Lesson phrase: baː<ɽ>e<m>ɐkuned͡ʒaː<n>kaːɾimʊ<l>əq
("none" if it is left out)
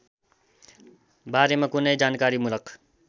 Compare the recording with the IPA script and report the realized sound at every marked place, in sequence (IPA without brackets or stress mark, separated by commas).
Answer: ɾ, m, n, l